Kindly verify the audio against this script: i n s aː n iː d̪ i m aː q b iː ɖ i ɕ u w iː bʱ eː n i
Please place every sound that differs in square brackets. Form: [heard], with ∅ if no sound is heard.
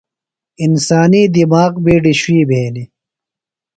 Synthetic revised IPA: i n s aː n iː d̪ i m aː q b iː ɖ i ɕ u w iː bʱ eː n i